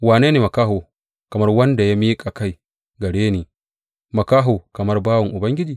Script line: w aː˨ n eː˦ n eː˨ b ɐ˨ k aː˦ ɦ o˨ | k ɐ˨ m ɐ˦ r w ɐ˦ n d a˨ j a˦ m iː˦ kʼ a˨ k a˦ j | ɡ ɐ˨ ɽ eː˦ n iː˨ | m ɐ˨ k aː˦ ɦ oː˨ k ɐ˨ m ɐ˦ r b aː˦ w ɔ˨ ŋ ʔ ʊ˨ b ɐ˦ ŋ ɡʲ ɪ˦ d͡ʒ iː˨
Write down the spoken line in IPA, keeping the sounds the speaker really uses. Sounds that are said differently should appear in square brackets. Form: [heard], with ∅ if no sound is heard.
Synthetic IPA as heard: w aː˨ n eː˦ n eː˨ [m] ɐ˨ k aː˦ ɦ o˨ | k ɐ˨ m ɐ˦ r w ɐ˦ n d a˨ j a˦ m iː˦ kʼ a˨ k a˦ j | ɡ ɐ˨ ɽ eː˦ n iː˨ | m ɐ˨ k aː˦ ɦ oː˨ k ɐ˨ m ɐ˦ r b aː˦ w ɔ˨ ŋ ʔ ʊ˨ b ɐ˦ ŋ ɡʲ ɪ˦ d͡ʒ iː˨